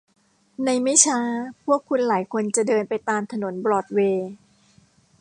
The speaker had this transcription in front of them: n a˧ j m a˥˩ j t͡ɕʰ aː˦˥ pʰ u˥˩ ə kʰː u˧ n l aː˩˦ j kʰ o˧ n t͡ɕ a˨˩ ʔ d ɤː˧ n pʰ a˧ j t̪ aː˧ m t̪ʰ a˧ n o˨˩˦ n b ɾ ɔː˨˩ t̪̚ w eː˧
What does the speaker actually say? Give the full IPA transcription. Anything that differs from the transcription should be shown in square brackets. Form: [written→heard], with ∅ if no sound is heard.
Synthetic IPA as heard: n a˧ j m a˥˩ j t͡ɕʰ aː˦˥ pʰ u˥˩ ə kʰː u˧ n l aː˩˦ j kʰ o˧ n t͡ɕ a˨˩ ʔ d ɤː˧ n [pʰ→p] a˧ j t̪ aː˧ m t̪ʰ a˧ n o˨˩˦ n b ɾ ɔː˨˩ t̪̚ w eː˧